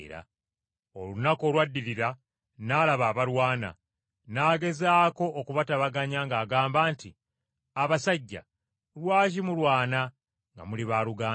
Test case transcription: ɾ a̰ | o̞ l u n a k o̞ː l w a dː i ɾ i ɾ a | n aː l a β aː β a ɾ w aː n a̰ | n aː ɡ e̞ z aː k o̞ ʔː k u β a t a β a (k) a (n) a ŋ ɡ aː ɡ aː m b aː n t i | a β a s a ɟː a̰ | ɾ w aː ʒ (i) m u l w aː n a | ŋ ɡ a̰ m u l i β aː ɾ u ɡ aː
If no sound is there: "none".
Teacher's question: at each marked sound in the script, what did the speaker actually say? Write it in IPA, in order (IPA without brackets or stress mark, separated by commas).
ɡ, ɲ, i